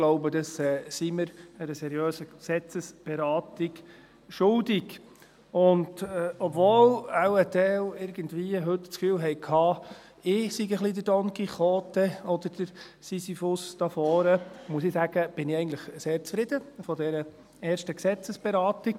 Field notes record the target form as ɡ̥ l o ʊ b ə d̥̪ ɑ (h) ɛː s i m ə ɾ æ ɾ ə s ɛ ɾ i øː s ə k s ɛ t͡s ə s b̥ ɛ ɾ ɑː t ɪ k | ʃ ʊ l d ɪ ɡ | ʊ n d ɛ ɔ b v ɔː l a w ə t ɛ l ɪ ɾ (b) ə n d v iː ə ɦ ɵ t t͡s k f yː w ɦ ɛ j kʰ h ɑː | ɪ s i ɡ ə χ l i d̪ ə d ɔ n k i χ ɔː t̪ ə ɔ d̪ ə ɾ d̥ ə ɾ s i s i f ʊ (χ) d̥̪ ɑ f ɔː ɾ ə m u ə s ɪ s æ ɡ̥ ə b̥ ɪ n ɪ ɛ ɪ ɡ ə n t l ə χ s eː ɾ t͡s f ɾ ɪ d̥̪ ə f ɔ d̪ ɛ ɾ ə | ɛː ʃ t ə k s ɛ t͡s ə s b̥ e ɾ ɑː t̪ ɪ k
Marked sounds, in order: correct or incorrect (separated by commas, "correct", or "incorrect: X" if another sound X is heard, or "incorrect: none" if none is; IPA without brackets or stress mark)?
incorrect: s, incorrect: ɡ, incorrect: s